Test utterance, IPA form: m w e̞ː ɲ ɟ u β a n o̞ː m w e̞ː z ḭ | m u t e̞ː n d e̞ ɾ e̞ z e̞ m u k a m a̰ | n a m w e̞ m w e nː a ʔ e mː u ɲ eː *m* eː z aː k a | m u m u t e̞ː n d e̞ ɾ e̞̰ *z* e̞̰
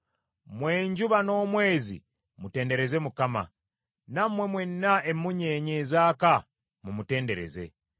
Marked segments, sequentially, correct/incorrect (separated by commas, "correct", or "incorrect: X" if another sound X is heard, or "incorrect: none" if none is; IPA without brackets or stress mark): incorrect: ɲ, correct